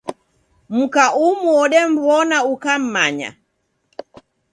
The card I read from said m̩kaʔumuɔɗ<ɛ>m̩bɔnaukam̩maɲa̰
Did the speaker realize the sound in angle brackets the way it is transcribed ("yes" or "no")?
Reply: yes